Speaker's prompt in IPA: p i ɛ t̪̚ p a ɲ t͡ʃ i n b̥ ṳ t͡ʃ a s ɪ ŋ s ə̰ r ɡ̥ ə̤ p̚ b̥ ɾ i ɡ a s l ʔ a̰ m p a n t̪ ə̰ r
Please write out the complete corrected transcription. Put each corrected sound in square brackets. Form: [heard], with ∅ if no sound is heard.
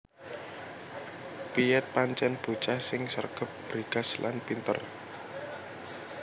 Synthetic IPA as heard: p i ɛ t̪̚ p a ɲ t͡ʃ [ɛ] n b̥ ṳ t͡ʃ a s ɪ ŋ s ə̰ r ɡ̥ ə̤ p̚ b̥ ɾ i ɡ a s l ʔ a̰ [n] p [i] n t̪ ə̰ r